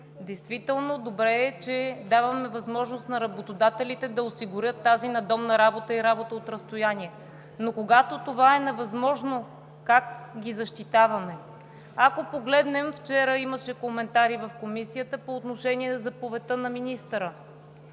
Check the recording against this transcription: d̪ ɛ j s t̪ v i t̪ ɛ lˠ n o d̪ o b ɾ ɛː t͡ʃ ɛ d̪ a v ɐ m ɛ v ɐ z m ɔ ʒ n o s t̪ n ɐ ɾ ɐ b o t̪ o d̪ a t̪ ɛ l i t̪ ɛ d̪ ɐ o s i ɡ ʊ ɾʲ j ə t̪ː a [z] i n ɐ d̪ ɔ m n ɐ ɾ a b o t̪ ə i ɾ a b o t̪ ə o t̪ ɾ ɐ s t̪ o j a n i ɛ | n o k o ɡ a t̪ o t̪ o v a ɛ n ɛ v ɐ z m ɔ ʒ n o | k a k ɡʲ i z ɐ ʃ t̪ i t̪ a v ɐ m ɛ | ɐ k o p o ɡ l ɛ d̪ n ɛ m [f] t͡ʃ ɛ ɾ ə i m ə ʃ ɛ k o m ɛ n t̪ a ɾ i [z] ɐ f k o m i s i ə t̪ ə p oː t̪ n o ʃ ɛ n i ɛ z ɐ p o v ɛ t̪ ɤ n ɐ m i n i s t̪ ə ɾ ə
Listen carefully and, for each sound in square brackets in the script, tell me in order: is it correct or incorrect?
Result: correct, correct, incorrect

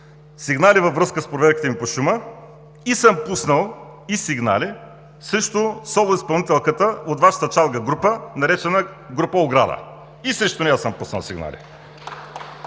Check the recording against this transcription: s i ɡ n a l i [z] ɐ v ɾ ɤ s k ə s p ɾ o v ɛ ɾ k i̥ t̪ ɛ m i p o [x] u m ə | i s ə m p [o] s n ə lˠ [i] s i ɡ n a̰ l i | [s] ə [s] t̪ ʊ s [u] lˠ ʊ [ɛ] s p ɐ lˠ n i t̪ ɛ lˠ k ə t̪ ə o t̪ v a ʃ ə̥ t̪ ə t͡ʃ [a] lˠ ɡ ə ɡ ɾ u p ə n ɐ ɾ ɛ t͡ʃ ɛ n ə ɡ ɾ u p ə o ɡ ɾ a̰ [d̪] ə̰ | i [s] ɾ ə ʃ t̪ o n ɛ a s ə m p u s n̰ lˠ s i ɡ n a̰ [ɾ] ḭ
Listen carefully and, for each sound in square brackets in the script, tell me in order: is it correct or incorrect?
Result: incorrect, incorrect, incorrect, correct, correct, incorrect, incorrect, incorrect, correct, correct, correct, incorrect

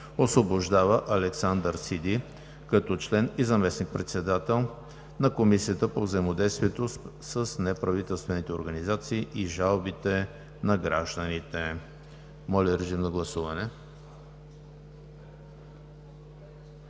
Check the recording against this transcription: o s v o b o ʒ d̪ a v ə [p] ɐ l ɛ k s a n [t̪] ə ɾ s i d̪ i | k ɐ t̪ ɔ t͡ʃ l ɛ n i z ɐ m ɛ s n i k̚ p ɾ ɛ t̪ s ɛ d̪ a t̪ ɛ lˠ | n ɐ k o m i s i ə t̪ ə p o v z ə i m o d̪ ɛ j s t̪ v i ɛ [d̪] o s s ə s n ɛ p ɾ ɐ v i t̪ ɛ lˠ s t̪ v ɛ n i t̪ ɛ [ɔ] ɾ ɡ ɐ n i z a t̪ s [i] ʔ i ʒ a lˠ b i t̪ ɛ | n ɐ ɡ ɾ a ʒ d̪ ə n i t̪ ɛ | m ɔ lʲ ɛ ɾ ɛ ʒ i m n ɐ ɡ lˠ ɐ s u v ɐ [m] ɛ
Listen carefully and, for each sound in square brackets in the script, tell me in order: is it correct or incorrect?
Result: incorrect, incorrect, incorrect, incorrect, incorrect, incorrect

